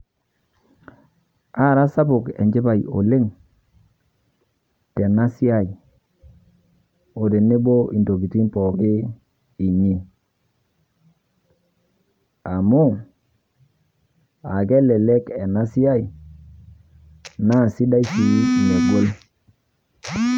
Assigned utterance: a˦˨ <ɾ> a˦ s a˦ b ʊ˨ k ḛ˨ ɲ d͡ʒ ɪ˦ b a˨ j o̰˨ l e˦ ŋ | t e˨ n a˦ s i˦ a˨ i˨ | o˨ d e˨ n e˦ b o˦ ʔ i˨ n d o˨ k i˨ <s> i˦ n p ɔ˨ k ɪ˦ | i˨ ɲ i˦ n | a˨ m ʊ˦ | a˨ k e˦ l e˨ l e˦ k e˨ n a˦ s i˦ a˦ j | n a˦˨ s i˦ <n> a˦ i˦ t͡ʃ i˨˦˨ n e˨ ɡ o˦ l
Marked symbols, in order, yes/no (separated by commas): yes, no, no